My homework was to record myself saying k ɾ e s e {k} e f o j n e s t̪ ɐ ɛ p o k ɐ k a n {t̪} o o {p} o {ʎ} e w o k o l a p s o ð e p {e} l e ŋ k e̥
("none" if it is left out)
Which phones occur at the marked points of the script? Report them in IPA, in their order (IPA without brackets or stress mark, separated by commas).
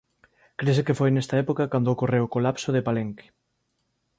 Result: k, d̪, k, r, a